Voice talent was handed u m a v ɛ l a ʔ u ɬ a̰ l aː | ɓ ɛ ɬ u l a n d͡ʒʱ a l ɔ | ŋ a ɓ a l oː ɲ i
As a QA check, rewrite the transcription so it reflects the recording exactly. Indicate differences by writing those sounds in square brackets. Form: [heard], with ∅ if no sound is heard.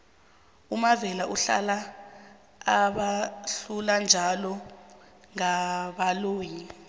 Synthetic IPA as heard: u m a v ɛ l a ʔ u ɬ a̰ l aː | ɓ [a] ɬ u l a n d͡ʒʱ a l ɔ | ŋ a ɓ a l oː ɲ i